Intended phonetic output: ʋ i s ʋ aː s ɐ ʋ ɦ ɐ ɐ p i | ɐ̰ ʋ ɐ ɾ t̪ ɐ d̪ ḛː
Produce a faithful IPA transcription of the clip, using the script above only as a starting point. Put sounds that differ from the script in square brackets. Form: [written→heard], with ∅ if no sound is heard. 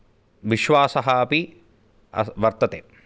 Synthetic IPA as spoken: ʋ i [s→ʃ] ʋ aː s ɐ [ʋ→∅] ɦ ɐ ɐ p i | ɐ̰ ʋ ɐ ɾ t̪ ɐ [d̪→t̪] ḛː